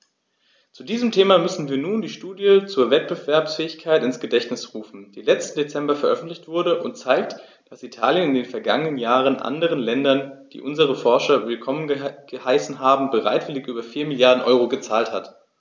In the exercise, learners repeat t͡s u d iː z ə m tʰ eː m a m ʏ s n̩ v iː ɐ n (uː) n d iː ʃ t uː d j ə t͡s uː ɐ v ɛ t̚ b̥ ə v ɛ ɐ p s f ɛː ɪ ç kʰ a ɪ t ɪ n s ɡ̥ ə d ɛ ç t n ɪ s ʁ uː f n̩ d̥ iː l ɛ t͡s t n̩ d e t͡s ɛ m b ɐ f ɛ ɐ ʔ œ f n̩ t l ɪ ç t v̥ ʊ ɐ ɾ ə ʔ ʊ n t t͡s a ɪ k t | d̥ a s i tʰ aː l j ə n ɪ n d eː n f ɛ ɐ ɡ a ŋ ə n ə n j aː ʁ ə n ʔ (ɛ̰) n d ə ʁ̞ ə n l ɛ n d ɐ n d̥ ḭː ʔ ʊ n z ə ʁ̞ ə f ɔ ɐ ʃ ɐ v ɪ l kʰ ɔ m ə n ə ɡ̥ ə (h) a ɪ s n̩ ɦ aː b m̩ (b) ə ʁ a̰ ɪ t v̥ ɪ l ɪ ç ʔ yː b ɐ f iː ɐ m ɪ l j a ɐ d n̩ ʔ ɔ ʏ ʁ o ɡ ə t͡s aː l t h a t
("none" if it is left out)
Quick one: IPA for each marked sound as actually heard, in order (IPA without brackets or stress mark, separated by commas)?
uː, a̰, h, b